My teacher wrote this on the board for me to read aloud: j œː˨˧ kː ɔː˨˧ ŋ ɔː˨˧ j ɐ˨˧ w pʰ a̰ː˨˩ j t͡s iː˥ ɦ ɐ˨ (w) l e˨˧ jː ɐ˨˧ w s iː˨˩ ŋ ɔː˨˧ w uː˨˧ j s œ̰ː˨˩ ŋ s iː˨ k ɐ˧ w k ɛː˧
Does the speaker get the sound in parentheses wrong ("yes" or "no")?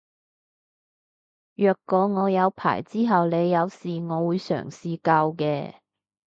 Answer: no